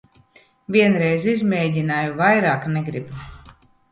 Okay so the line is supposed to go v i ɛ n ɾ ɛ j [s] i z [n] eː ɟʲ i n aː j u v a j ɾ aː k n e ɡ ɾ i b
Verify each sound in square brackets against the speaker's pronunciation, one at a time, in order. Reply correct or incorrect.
incorrect, incorrect

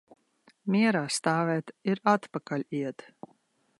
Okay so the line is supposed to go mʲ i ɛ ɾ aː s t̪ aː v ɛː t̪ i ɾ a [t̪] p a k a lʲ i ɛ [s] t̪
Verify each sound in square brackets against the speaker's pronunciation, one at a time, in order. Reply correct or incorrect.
correct, incorrect

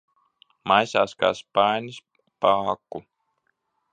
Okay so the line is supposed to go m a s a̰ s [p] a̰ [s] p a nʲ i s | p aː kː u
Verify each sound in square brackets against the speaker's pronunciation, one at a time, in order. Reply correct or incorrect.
incorrect, correct

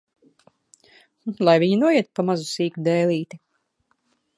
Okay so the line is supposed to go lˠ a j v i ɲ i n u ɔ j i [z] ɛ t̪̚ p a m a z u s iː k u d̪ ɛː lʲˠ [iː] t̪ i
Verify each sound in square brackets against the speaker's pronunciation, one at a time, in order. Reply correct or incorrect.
incorrect, correct

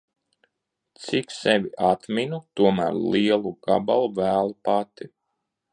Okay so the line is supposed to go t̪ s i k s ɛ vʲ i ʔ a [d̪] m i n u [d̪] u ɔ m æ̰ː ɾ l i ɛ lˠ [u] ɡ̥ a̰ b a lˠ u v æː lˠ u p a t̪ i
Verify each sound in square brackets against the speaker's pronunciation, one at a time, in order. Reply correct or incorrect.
incorrect, incorrect, correct

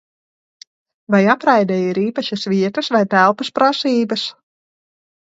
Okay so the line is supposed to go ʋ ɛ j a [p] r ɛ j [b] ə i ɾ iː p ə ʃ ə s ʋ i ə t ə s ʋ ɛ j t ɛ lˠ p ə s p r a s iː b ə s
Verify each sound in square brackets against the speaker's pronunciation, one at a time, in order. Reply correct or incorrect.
correct, incorrect

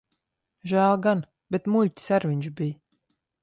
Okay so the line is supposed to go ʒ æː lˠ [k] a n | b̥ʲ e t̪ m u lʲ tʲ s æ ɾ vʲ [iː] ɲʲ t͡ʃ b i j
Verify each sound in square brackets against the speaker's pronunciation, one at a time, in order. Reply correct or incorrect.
incorrect, incorrect

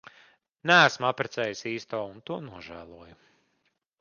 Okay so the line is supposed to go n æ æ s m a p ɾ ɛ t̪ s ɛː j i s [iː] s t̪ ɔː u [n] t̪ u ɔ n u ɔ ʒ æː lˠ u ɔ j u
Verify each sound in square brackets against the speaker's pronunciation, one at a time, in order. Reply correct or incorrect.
correct, correct

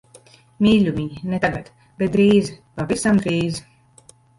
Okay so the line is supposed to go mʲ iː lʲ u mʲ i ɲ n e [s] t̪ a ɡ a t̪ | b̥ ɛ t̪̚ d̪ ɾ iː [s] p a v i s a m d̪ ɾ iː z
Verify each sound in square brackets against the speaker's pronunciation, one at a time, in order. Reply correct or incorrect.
incorrect, incorrect

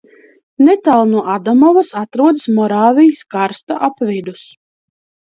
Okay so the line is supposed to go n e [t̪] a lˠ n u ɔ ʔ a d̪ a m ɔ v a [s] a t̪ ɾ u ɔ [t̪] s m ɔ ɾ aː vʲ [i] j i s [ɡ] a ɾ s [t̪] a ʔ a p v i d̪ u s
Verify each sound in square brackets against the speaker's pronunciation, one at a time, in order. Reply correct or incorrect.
correct, correct, incorrect, correct, incorrect, correct

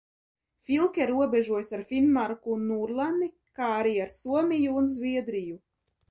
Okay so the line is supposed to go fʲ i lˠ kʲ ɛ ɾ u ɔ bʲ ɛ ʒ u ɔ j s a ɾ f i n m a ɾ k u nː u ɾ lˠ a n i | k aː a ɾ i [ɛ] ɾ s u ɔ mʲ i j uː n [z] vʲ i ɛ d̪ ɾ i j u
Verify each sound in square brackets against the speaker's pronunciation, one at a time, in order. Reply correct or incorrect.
incorrect, correct

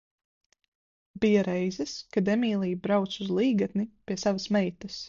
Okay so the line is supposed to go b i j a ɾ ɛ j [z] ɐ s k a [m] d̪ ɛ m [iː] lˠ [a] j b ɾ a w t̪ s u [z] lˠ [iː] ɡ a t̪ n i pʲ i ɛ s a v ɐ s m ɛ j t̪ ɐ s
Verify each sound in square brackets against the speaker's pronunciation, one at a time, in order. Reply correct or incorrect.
correct, incorrect, correct, incorrect, correct, correct

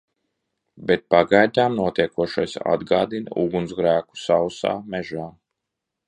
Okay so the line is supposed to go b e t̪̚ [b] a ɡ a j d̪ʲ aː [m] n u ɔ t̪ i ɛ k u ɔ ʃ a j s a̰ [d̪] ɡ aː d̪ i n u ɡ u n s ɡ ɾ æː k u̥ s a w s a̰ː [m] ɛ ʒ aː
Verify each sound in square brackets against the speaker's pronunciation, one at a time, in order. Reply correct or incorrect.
incorrect, correct, correct, correct

